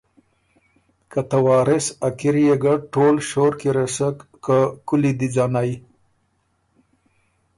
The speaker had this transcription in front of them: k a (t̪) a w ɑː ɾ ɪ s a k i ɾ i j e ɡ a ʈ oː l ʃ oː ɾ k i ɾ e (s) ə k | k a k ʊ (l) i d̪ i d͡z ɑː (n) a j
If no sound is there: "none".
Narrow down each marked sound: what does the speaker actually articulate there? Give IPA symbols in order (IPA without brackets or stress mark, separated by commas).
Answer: t̪, s, l, n